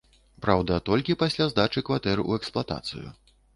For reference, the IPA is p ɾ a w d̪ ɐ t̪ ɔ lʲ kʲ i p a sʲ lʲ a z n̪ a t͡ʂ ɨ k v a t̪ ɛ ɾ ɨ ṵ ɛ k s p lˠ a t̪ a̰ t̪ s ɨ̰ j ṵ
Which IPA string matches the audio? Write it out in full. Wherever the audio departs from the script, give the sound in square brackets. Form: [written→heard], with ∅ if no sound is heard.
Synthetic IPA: p ɾ a w d̪ ɐ t̪ ɔ lʲ kʲ i p a sʲ lʲ a z [n̪→d̪] a t͡ʂ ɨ k v a t̪ ɛ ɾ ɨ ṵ ɛ k s p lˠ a t̪ a̰ t̪ s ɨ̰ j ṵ